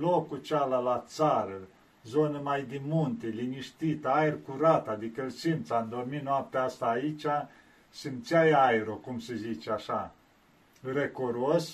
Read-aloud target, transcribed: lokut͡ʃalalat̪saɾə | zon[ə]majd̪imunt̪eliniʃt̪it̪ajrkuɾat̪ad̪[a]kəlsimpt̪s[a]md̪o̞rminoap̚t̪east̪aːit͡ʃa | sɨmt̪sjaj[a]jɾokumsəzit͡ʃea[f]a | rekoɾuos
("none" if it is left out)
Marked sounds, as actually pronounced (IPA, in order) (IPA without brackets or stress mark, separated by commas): ə, i, a, a, ʃ